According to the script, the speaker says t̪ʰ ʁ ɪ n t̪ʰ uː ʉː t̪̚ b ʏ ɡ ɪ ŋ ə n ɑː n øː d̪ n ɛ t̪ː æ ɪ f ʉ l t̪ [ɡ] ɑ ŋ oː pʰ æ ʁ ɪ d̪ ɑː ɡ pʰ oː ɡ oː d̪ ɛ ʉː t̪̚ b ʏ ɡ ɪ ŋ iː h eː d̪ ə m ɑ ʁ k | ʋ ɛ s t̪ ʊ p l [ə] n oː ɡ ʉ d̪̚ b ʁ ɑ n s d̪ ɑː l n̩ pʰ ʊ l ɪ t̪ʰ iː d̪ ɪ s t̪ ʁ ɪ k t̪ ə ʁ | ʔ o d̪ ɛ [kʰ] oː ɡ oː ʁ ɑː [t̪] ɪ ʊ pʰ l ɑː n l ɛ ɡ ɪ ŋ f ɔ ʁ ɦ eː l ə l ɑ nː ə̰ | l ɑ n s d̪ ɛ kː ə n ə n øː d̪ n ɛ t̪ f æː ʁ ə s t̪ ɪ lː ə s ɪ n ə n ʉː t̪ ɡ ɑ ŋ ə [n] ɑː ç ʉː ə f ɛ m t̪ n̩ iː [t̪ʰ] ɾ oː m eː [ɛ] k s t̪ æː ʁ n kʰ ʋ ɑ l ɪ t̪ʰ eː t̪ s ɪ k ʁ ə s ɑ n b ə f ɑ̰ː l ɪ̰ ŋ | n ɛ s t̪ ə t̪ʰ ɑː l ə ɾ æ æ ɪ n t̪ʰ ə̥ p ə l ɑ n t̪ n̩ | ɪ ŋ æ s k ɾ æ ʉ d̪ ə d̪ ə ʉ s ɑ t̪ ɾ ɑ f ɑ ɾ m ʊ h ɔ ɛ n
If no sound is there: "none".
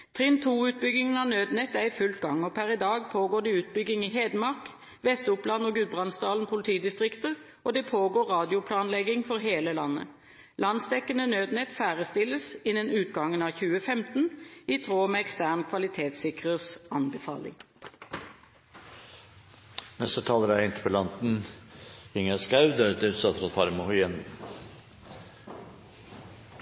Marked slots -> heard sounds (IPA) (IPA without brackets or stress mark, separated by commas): ɡ, ɑ, pʰ, d̪, n, t̪ʰ, ɛ